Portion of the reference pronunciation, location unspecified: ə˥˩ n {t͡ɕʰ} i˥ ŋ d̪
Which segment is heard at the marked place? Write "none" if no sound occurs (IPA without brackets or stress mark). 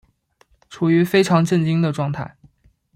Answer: t͡ɕ